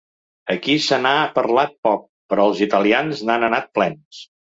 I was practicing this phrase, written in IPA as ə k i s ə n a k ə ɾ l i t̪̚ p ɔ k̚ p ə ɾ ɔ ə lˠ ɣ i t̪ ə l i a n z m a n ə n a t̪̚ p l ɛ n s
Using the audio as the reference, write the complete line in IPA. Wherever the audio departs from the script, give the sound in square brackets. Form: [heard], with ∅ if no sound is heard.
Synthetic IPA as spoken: ə k i s ə n a [p] ə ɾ l [a] t̪̚ p ɔ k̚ p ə ɾ ɔ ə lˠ [z] i t̪ ə l i a n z [n] a n ə n a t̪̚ p l ɛ n s